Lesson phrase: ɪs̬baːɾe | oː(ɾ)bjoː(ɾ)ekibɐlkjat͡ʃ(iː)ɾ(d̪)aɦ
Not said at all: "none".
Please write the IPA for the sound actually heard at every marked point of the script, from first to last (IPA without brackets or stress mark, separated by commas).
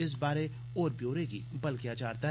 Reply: ɾ, ɾ, aː, t̪